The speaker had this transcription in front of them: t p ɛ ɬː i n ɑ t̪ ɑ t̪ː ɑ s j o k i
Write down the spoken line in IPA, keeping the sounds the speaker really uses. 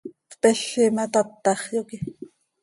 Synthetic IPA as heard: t p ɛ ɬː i m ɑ t̪ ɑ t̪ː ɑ χ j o k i